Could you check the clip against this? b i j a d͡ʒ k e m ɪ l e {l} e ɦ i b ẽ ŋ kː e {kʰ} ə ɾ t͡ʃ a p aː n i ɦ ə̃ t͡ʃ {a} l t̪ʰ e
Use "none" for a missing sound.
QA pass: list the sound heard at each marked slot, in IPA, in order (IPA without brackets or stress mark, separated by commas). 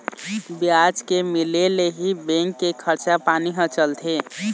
l, kʰ, ə